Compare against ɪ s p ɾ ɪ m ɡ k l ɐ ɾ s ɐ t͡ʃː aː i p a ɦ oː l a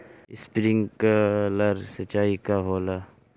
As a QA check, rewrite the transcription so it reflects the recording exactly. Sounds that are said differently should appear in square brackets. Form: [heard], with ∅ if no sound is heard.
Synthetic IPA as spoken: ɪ s p ɾ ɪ [ŋ] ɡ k l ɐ ɾ s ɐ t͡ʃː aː i [k] a ɦ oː l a